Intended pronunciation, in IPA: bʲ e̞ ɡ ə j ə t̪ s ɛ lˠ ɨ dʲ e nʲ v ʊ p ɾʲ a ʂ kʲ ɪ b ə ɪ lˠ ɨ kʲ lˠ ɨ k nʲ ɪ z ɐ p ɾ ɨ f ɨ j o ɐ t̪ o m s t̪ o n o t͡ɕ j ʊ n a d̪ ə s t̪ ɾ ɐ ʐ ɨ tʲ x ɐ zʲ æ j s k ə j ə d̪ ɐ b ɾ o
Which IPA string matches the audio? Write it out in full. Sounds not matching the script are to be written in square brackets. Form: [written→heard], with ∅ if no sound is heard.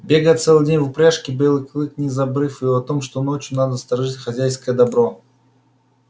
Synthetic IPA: bʲ e̞ ɡ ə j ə t̪ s ɛ lˠ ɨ dʲ e nʲ v ʊ p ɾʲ a ʂ kʲ ɪ b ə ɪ lˠ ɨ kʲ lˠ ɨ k nʲ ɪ z ɐ [p→b] ɾ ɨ f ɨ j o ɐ t̪ o m [s→ʂ] t̪ o n o t͡ɕ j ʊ n a d̪ ə s t̪ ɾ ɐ ʐ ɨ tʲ x ɐ zʲ æ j s k ə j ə d̪ ɐ b ɾ o